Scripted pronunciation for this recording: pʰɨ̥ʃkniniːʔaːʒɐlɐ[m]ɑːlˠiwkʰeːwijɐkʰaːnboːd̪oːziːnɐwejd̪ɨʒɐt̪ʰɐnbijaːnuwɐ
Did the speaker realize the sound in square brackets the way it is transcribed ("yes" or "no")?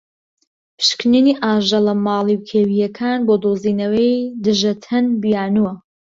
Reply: yes